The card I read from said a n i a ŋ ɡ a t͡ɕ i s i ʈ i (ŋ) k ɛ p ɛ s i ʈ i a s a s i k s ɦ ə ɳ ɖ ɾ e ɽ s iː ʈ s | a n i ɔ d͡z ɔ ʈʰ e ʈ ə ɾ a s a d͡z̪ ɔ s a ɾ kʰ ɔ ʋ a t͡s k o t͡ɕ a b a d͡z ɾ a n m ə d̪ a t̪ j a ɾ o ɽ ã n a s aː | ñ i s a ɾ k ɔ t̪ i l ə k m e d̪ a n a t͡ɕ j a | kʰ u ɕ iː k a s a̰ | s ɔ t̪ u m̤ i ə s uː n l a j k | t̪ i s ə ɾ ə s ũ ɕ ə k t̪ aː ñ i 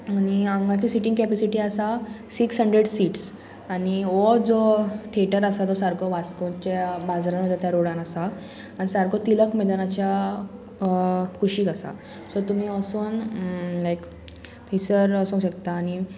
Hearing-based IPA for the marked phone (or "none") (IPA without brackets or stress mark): ŋ